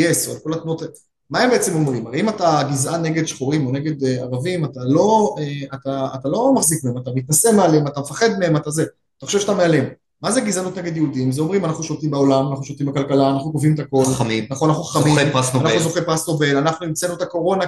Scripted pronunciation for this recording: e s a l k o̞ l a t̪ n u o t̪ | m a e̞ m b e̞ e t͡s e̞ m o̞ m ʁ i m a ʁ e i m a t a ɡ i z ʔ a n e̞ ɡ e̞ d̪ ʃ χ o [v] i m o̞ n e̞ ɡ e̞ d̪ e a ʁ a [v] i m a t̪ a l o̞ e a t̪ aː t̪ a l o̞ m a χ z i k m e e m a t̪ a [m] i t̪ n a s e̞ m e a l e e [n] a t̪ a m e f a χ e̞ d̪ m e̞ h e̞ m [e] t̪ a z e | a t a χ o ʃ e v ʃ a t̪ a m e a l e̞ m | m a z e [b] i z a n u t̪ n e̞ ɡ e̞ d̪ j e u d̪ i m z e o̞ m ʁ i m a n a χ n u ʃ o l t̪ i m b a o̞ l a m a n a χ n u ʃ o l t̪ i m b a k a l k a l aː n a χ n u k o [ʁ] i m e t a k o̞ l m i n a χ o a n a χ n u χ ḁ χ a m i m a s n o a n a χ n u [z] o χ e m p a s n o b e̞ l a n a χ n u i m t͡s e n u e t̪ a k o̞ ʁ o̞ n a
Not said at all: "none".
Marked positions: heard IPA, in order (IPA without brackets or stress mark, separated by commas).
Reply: ʁ, v, m, m, a, ɡ, v, z